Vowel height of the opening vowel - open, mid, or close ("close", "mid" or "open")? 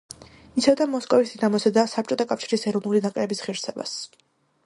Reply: close